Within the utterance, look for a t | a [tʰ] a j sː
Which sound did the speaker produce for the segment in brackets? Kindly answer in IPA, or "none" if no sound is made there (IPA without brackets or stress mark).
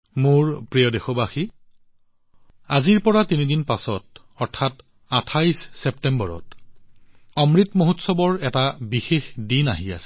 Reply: tʰ